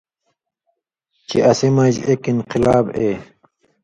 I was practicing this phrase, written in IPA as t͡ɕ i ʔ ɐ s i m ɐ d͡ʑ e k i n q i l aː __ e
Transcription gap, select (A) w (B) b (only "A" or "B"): B